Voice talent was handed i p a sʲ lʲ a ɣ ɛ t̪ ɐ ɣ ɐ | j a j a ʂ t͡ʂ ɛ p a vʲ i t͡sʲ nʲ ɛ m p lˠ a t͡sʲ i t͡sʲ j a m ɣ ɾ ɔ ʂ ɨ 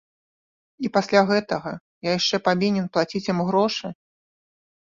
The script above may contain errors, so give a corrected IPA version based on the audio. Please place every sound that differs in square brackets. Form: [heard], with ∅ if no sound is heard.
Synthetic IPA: i p a sʲ lʲ a ɣ ɛ t̪ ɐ ɣ ɐ | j a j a ʂ t͡ʂ ɛ p a vʲ i [∅] nʲ ɛ [n] p lˠ a t͡sʲ i t͡sʲ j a m ɣ ɾ ɔ ʂ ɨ